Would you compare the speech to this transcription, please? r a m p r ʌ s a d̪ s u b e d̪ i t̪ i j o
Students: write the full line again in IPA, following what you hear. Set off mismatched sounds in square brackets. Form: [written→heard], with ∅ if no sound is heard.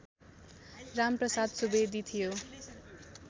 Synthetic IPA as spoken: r a m p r ʌ s a d̪ s u b e d̪ i [t̪→t̪ʰ] i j o